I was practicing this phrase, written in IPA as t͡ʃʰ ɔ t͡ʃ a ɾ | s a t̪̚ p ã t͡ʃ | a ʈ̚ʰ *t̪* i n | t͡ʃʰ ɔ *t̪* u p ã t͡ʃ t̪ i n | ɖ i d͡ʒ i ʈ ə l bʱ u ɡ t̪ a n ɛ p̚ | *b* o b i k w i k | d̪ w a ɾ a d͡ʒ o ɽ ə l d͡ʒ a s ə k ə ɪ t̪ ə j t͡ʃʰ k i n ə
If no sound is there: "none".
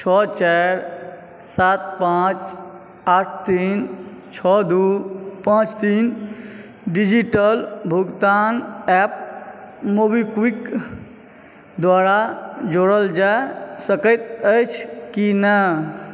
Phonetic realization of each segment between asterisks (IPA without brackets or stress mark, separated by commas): t̪, d̪, m